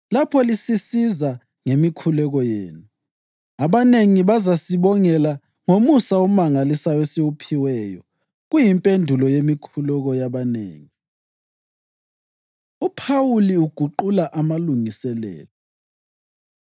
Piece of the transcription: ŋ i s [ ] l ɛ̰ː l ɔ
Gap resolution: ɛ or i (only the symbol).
ɛ